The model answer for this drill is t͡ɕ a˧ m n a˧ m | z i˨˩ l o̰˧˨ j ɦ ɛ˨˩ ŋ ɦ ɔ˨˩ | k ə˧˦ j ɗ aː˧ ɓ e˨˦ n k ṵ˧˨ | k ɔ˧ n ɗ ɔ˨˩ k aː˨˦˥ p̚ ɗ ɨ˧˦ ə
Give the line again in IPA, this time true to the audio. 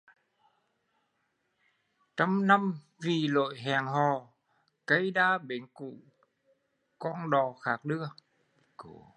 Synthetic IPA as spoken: t͡ɕ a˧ m n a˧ m | v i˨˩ l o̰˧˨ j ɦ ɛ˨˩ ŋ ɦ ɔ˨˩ | k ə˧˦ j ɗ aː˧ ɓ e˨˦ n k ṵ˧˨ | k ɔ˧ n ɗ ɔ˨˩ x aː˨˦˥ k̚ ɗ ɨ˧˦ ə